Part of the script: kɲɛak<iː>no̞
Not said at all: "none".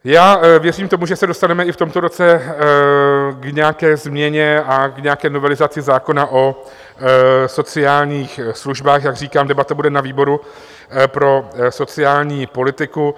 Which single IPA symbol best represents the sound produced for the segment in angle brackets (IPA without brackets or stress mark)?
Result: ɛː